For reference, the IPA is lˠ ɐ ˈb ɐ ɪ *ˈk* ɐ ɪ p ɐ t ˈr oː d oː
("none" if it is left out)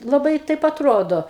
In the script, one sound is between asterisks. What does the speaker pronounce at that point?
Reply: t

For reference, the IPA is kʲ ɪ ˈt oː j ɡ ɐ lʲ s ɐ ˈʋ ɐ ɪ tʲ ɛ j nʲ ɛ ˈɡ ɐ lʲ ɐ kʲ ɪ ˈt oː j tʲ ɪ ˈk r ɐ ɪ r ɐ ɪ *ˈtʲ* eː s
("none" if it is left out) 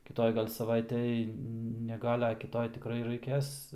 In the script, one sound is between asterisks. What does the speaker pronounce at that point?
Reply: kʲ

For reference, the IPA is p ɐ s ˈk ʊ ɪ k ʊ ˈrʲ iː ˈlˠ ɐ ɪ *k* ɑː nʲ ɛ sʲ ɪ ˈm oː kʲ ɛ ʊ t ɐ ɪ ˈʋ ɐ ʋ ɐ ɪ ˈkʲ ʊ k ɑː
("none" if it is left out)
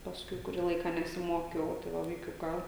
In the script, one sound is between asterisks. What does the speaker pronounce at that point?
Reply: k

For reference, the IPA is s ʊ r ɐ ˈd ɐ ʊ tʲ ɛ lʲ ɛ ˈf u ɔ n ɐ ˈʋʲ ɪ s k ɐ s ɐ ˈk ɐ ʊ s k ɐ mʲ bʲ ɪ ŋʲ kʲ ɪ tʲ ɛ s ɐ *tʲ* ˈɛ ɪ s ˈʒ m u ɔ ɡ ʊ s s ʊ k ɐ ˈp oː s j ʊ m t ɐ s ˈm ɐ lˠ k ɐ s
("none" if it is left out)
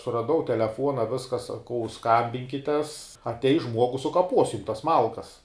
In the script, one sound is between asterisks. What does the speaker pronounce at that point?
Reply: tʲ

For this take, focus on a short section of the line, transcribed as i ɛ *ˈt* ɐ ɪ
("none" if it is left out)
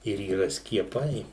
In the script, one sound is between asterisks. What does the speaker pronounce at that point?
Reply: p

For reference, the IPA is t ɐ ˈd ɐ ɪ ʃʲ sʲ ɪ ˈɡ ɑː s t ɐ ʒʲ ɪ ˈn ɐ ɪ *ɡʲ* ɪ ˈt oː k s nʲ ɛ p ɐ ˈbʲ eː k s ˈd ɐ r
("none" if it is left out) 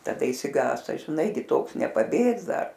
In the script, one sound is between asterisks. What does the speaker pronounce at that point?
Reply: ɡʲ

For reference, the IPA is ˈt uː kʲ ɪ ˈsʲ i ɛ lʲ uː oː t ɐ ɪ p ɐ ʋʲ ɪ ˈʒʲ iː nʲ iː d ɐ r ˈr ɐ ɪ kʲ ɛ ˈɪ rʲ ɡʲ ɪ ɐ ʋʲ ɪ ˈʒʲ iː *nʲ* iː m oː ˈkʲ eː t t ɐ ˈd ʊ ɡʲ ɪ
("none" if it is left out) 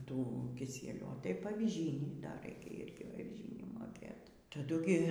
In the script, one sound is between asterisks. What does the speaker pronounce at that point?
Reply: nʲ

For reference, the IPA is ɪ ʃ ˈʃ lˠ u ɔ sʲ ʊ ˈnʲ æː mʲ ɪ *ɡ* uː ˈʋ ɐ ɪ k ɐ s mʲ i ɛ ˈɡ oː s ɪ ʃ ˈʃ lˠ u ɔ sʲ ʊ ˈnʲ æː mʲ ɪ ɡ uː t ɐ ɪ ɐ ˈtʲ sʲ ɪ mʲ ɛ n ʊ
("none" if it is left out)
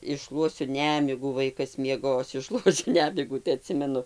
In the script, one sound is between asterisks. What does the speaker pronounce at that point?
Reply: ɡ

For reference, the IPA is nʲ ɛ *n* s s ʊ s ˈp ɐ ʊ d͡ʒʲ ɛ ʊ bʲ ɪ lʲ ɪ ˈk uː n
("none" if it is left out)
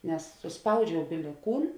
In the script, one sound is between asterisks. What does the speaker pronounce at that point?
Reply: none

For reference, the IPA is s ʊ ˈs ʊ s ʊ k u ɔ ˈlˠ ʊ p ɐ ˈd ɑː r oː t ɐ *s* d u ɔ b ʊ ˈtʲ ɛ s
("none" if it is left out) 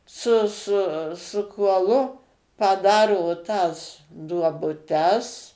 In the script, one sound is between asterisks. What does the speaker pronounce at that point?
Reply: s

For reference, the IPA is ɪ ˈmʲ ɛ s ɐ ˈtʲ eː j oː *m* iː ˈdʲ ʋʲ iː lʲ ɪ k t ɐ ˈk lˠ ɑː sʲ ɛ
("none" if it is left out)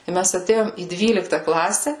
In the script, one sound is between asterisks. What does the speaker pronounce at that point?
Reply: m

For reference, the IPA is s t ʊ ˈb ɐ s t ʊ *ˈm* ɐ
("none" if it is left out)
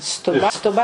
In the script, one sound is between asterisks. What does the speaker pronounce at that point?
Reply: b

